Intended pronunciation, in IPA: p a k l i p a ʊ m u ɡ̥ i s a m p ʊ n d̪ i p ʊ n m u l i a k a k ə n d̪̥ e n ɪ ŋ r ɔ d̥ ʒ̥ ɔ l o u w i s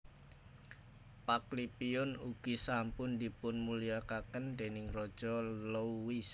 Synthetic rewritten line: p a k l i p i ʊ n u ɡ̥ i s a m p ʊ n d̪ i p ʊ n m u l i a k a k ə n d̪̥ e n ɪ ŋ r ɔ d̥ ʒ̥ ɔ l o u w i s